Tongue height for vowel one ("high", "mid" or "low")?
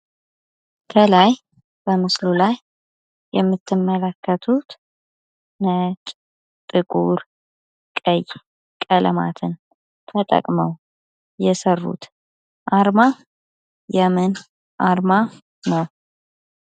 mid